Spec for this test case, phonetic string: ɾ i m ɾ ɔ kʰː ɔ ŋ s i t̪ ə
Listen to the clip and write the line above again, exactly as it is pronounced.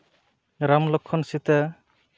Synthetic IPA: ɾ a m l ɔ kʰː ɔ n s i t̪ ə

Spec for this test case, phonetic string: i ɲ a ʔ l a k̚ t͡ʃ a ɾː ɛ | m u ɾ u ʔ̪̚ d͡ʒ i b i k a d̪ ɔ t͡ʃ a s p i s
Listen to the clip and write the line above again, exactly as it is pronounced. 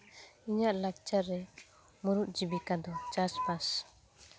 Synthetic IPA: i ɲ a ʔ l a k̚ t͡ʃ a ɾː ɛ | m u ɾ u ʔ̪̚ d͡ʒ i b i k a d̪ ɔ t͡ʃ a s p a s

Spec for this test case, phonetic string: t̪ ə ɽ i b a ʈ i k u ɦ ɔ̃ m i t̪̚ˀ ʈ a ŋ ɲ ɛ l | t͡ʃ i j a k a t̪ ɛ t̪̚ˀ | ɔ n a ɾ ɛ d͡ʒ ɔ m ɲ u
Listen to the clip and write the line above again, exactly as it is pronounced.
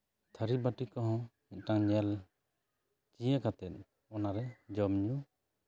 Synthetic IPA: t̪ʰ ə ɾ i b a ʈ i k ɔ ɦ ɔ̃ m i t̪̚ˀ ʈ a ŋ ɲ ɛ l | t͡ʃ i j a k a t̪ ɛ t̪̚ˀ | ɔ n a ɾ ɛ d͡ʒ ɔ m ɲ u

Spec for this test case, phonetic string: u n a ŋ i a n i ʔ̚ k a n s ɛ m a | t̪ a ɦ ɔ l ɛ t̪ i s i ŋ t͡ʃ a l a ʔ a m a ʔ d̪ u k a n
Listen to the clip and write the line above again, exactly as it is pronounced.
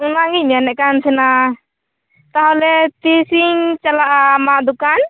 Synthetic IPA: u n a ŋ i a n ɛ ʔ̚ k a n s ɛ n a | t̪ a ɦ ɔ l ɛ t̪ i s i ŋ t͡ʃ a l a ʔ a m a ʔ d̪ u k a n

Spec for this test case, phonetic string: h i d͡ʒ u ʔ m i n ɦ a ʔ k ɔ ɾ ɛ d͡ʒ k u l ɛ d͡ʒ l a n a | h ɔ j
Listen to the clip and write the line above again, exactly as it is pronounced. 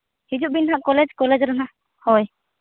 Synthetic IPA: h i d͡ʒ u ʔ b i n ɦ a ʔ k ɔ l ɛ d͡ʒ k ɔ l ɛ d͡ʒ ɾ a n a | h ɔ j

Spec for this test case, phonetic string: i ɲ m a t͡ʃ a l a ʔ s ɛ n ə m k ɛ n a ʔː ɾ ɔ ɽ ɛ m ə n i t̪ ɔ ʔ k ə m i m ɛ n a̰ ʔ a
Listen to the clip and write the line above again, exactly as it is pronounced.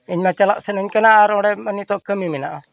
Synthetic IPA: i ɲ m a t͡ʃ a l a ʔ s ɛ n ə ɲ k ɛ n a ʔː ɾ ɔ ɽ ɛ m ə n i t̪ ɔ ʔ k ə m i m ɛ n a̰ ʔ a

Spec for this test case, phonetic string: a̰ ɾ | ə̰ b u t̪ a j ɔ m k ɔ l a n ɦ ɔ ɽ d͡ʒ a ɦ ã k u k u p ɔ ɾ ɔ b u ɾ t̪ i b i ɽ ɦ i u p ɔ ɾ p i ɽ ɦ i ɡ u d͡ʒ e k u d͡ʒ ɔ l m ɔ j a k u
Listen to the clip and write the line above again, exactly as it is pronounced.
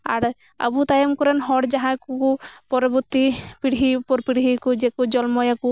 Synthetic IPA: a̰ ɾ | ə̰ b u t̪ a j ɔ m k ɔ ɾ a n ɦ ɔ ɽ d͡ʒ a ɦ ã k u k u p ɔ ɾ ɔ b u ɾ t̪ i p i ɽ ɦ i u p ɔ ɾ p i ɽ ɦ i k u d͡ʒ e k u d͡ʒ ɔ l m ɔ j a k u

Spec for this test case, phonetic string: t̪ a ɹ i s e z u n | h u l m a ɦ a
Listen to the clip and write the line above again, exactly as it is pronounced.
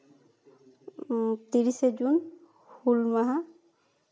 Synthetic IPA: t̪ i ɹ i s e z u n | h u l m a ɦ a

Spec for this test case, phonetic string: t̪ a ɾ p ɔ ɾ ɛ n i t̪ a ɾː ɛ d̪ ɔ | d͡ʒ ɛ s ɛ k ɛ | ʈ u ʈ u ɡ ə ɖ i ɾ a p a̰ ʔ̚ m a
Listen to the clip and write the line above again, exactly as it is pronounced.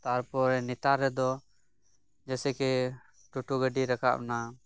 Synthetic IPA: t̪ a ɾ p ɔ ɾ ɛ n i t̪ a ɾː ɛ d̪ ɔ | d͡ʒ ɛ s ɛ k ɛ | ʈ u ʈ u ɡ ə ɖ i ɾ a k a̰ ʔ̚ n a

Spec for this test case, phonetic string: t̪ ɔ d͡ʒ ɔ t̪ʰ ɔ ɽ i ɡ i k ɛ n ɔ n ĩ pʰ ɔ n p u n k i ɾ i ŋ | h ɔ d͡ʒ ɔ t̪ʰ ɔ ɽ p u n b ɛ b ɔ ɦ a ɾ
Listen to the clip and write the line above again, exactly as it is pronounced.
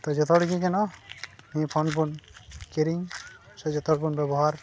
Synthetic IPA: t̪ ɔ d͡ʒ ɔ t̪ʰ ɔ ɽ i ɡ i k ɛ n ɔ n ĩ pʰ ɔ n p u n k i ɾ i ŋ | s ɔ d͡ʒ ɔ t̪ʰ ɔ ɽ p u n b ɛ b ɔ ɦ a ɾ

